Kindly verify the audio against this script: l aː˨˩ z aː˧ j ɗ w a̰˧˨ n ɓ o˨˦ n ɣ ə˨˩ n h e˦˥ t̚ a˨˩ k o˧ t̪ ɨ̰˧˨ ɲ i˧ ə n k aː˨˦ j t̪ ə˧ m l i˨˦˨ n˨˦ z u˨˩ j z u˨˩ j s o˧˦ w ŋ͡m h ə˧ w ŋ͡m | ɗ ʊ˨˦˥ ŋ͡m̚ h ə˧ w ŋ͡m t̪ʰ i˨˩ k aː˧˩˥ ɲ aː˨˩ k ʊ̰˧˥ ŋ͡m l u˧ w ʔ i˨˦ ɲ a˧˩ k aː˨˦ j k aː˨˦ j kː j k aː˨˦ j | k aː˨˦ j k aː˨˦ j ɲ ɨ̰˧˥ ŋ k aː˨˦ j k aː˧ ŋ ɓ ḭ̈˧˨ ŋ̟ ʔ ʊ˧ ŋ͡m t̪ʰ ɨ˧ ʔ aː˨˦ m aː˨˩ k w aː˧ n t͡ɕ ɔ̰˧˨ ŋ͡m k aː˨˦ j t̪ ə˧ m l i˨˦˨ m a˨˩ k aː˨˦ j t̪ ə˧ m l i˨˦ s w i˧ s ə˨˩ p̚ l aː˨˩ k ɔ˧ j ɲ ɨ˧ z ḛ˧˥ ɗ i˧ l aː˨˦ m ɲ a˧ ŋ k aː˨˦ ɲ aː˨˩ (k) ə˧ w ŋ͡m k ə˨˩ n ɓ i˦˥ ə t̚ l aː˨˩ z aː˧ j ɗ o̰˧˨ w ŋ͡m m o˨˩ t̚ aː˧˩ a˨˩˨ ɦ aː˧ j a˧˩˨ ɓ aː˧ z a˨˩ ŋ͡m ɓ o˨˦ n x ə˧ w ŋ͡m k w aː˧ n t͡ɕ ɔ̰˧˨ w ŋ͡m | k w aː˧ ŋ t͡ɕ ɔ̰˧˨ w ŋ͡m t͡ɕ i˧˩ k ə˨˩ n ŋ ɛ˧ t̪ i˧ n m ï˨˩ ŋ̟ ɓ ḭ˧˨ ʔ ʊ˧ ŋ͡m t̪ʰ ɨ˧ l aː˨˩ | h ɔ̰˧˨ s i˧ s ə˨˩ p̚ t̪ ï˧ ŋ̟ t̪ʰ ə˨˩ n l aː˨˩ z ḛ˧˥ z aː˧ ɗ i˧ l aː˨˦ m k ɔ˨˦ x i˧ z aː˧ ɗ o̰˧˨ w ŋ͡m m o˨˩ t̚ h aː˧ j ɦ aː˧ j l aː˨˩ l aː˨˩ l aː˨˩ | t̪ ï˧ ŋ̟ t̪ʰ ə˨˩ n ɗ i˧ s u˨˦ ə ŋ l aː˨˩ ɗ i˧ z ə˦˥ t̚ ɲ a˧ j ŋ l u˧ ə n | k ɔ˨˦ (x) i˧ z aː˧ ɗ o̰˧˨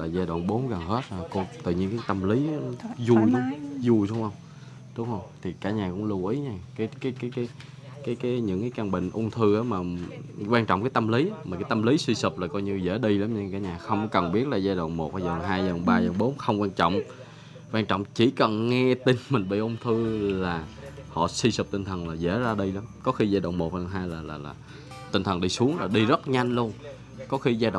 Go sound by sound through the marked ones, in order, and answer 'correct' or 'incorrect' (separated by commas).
incorrect, correct